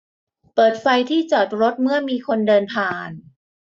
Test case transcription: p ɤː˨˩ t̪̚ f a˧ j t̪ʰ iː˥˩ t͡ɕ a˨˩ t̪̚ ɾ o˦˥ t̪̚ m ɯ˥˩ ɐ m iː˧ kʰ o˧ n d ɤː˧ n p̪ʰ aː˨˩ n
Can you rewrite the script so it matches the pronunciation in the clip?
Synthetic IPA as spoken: p ɤː˨˩ t̪̚ f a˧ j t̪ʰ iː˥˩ t͡ɕ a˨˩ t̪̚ ɾ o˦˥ t̪̚ m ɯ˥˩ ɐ m iː˧ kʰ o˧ n d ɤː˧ n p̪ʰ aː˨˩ n